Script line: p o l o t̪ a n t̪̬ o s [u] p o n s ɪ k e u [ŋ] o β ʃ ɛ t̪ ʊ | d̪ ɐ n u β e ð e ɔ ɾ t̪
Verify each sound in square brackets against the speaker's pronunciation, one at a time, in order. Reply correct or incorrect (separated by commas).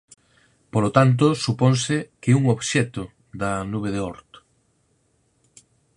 correct, correct